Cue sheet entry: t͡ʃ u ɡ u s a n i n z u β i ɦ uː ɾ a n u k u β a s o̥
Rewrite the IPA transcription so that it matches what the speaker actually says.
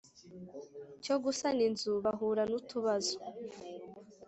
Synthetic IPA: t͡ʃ o ɡ u s a n i n z u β a ɦ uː ɾ a n u t u β a z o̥